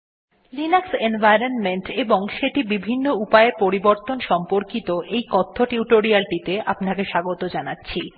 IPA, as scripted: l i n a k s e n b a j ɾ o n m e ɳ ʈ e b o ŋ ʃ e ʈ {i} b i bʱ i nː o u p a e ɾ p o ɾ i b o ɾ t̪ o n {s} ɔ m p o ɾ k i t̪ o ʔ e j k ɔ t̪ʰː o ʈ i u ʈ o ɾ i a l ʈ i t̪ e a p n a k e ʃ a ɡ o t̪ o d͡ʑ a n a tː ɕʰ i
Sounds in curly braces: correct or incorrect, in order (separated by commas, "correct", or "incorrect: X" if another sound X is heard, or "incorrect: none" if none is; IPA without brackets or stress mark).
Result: correct, incorrect: ʃ